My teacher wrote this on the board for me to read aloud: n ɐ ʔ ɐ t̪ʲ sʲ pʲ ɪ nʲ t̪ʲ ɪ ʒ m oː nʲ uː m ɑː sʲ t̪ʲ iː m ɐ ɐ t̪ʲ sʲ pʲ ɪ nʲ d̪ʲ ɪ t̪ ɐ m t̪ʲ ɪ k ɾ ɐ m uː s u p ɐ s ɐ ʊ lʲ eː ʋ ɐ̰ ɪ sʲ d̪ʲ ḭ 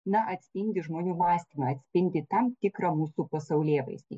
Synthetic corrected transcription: n ɐ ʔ ɐ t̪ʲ sʲ pʲ ɪ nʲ d̪ʲ ɪ ʒ m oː nʲ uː m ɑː sʲ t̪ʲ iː m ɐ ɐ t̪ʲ sʲ pʲ ɪ nʲ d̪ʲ ɪ t̪ ɐ m t̪ʲ ɪ k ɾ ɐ m uː s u p ɐ s ɐ ʊ lʲ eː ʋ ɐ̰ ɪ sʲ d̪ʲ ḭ